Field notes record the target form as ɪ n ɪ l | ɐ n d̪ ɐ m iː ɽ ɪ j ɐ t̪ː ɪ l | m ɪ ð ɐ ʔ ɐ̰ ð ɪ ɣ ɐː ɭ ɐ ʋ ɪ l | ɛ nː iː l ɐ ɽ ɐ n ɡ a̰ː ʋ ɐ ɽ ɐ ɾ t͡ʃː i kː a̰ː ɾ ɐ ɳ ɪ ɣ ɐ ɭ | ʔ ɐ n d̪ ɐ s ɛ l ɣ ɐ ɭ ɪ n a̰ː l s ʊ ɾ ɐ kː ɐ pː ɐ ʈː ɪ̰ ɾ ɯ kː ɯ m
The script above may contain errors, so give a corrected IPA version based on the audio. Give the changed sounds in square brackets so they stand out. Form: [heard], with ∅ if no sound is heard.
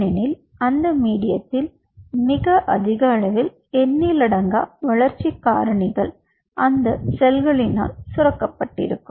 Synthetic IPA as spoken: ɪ n ɪ l | ɐ n d̪ ɐ m iː ɽ ɪ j ɐ t̪ː ɪ l | m ɪ [ɣ] ɐ ʔ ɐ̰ ð ɪ ɣ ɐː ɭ ɐ ʋ ɪ l | ɛ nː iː l ɐ ɽ ɐ [ŋ] ɡ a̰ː ʋ ɐ [ɭ] ɐ ɾ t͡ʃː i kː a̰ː ɾ ɐ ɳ ɪ ɣ ɐ ɭ | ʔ ɐ n d̪ ɐ s ɛ l ɣ ɐ ɭ ɪ n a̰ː l s ʊ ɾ ɐ kː ɐ pː ɐ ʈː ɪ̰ ɾ ɯ kː ɯ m